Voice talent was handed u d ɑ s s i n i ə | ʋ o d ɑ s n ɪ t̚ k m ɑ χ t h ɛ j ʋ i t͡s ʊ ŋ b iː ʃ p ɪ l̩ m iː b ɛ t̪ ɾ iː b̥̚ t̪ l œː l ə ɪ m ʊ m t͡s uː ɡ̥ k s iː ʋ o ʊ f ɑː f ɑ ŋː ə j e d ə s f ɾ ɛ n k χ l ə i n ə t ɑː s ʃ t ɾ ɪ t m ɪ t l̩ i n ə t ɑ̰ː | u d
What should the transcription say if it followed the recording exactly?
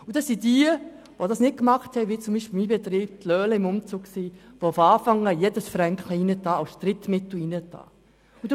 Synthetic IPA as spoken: u d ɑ s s i d i ə | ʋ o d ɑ s n ɪ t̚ k m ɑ χ t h ɛ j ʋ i t͡s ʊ m b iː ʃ p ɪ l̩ m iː b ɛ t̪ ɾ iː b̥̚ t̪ l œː l ə ɪ m ʊ m t͡s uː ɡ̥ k s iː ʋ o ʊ f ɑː f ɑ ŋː ə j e d ə s f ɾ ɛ ŋ k χ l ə i n ə t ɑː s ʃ t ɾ ɪ t m ɪ t l̩ i n ə t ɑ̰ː | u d